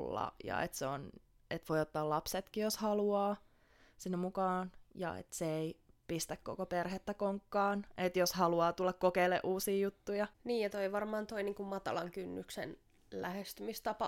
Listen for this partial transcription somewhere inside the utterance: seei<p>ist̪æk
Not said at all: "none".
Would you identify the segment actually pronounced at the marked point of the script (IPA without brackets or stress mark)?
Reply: p